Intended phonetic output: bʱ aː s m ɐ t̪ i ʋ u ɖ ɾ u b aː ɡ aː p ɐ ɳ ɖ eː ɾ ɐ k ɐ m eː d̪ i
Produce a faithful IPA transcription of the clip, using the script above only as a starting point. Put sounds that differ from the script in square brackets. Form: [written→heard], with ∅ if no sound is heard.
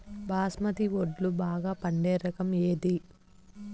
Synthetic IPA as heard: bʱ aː s m ɐ t̪ i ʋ [u→o] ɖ [ɾ→l] u b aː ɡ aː p ɐ ɳ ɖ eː ɾ ɐ k ɐ m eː d̪ i